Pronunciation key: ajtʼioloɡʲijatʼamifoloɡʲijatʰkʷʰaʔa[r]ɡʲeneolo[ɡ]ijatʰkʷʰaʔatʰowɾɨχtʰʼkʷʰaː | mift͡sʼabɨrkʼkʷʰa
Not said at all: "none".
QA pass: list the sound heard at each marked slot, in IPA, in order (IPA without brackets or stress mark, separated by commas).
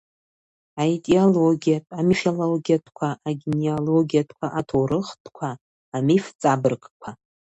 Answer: none, ɡ